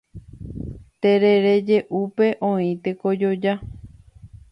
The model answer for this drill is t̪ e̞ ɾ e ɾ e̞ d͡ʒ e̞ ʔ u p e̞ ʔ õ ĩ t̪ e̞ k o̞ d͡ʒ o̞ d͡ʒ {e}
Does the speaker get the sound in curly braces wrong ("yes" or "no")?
yes